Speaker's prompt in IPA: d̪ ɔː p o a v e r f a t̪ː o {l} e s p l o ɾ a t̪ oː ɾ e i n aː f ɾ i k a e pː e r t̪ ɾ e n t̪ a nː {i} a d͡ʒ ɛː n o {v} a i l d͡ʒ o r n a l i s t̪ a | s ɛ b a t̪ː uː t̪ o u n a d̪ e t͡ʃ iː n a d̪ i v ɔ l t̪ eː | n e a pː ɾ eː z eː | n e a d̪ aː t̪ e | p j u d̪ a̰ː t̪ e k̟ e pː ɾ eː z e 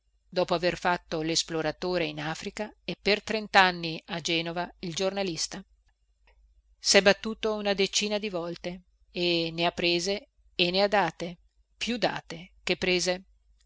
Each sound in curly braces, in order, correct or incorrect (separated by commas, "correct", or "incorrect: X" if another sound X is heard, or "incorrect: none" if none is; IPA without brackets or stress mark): correct, correct, correct